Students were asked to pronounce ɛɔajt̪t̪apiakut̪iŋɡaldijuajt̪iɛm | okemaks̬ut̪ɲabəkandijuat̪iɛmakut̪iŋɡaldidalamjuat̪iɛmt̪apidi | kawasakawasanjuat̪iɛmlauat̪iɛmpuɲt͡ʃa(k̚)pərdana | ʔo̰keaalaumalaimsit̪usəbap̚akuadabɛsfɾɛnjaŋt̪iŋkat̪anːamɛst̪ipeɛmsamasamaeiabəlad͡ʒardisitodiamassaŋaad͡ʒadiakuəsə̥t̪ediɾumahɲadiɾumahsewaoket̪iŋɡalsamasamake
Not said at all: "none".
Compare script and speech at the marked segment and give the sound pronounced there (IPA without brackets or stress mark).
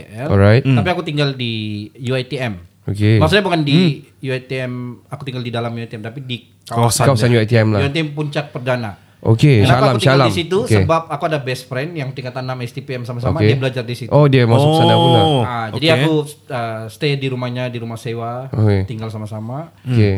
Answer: k̚